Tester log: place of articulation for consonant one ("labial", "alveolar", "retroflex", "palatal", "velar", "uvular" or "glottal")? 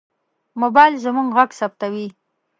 labial